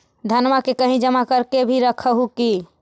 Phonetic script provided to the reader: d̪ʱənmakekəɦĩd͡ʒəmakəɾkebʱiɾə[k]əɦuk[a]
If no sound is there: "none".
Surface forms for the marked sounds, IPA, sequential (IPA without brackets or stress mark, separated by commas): kʰ, i